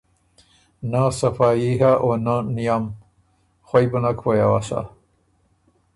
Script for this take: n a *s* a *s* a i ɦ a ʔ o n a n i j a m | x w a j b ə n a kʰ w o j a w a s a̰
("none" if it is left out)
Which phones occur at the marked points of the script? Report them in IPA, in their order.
s, f

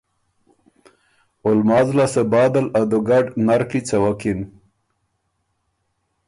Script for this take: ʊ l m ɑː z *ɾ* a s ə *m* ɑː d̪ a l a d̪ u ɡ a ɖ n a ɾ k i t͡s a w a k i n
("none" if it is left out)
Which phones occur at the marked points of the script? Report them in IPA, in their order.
l, b

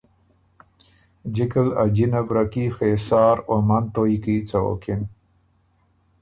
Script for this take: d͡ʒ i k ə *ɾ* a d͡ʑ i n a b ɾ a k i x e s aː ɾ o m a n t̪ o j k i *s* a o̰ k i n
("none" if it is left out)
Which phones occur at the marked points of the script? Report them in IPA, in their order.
l, t͡s

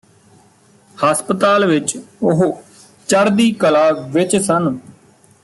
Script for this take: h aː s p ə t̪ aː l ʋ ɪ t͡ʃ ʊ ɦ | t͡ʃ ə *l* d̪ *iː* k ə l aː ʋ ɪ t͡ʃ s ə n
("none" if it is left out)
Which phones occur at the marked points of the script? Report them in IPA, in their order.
ɾ, iː

